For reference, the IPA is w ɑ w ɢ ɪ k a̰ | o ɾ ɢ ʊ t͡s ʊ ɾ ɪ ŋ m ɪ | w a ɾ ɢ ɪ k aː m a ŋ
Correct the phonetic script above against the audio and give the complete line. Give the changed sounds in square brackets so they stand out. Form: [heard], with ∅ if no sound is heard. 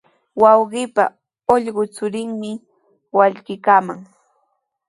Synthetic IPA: w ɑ w ɢ ɪ [p] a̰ | o [ʎ] ɢ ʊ t͡s ʊ ɾ ɪ ŋ m ɪ | w a [ʎ] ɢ ɪ k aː m a ŋ